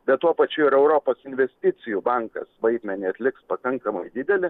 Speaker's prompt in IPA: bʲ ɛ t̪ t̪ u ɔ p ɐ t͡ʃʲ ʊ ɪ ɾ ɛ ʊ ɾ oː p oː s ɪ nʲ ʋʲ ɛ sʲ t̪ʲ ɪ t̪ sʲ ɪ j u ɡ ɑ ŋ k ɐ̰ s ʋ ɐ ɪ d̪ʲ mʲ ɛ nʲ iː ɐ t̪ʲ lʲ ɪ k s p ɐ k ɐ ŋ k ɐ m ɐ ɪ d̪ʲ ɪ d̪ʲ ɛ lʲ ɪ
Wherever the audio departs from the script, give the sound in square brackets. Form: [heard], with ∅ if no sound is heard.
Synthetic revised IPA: bʲ ɛ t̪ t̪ u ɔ p ɐ t͡ʃʲ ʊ ɪ ɾ ɛ ʊ ɾ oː p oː s ɪ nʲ ʋʲ ɛ sʲ t̪ʲ ɪ t̪ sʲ ɪ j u [b] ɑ ŋ k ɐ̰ s ʋ ɐ ɪ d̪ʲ mʲ ɛ nʲ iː ɐ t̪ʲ lʲ ɪ k s p ɐ k ɐ ŋ k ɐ m ɐ ɪ d̪ʲ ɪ d̪ʲ ɛ lʲ ɪ